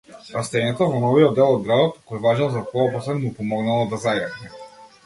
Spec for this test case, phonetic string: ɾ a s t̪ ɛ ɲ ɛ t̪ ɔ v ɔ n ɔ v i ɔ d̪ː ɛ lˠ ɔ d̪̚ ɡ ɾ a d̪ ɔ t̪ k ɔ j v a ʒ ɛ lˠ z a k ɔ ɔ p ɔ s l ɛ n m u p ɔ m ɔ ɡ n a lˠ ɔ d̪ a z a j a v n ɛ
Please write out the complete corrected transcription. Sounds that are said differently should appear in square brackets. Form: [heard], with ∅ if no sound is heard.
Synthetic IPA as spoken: ɾ a s t̪ ɛ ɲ ɛ t̪ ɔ v ɔ n ɔ v i ɔ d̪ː ɛ lˠ ɔ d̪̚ ɡ ɾ a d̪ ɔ t̪ k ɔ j v a ʒ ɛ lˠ z a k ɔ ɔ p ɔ s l ɛ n m u p ɔ m ɔ ɡ n a lˠ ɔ d̪ a z a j a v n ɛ